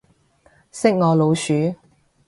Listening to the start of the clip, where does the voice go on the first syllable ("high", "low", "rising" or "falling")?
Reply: high